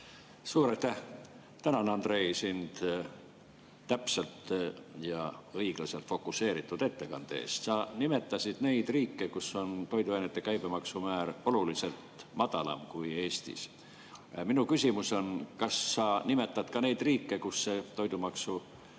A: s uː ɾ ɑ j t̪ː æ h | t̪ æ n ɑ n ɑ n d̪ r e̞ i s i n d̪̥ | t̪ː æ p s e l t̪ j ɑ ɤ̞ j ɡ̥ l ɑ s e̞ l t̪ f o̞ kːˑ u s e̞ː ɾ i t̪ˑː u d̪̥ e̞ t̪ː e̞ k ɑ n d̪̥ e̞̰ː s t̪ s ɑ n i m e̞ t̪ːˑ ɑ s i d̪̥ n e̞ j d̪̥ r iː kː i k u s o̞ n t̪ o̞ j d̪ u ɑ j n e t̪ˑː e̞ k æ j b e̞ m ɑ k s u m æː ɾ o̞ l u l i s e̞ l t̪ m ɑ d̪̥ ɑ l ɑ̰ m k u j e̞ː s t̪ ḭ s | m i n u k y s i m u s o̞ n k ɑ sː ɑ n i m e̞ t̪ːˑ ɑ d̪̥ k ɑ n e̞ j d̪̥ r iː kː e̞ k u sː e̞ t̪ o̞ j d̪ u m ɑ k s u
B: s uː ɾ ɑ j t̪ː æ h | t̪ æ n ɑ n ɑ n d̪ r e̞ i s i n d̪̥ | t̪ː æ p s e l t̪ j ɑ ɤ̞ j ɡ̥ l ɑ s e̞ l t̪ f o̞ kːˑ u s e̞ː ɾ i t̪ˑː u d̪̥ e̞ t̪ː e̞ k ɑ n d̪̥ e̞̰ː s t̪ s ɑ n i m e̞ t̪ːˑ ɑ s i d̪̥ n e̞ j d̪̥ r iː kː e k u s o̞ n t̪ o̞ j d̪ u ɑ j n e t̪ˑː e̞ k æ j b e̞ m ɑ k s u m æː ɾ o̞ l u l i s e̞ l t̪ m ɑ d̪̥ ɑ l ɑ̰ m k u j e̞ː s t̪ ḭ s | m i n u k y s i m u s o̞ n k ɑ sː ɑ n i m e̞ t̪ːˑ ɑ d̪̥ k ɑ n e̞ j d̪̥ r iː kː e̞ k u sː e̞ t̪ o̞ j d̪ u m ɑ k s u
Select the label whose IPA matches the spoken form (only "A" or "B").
B